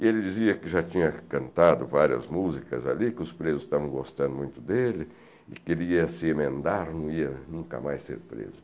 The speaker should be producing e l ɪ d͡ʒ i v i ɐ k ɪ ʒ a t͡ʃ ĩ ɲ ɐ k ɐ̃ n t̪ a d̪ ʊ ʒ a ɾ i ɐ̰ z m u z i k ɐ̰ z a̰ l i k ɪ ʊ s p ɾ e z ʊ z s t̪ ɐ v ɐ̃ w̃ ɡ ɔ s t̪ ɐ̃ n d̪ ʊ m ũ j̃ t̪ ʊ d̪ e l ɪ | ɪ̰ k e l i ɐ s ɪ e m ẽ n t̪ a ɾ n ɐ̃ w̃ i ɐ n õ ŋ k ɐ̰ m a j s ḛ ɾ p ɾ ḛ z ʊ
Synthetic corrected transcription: e l ɪ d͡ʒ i z i ɐ k ɪ ʒ a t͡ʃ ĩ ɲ ɐ k ɐ̃ n t̪ a d̪ ʊ v a ɾ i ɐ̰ z m u z i k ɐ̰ z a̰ l i k ɪ ʊ s p ɾ e z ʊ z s t̪ a v ɐ̃ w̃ ɡ o s t̪ ɐ̃ n d̪ ʊ m ũ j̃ t̪ ʊ d̪ e l ɪ | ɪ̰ k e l i ɐ s ɪ e m ẽ n d̪ a ɾ n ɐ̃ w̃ i ɐ n ũ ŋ k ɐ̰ m a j s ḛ ɾ p ɾ ḛ z ʊ